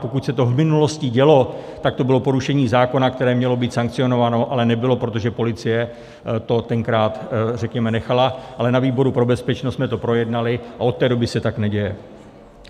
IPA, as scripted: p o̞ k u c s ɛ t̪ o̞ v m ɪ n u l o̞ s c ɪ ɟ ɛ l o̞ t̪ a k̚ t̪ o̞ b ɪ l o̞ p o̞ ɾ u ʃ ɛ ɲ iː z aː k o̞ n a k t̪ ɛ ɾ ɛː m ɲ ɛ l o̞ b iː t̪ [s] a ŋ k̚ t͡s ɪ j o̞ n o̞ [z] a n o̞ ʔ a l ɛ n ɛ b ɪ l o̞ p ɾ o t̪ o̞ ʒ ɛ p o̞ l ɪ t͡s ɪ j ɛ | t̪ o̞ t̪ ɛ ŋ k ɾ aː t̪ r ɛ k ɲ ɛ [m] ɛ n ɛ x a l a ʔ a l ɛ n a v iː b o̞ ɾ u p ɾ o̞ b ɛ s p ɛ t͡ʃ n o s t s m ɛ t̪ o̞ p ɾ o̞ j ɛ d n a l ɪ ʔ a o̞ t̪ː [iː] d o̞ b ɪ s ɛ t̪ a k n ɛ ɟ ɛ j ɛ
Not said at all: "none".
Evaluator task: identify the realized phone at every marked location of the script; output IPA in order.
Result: s, v, m, ɛː

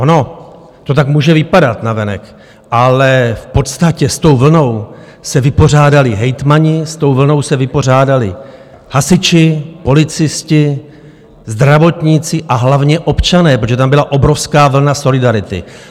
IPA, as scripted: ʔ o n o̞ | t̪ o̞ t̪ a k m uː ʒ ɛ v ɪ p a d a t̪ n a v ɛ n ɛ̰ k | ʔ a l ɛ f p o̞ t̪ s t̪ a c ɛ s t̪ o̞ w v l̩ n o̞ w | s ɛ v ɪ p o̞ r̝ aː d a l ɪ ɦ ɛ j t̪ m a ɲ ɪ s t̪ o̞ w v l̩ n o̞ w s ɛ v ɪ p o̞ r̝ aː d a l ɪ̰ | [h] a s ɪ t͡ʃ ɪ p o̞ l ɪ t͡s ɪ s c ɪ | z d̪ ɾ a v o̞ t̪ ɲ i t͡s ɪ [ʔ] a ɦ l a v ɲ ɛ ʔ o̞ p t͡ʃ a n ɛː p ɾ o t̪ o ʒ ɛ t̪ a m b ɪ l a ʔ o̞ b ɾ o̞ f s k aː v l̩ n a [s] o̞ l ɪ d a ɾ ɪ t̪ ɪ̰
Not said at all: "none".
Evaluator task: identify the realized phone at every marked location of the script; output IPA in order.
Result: h, ʔ, s

